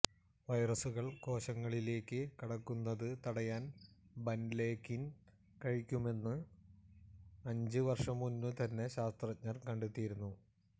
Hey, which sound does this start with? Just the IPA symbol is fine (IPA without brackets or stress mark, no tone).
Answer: ʋ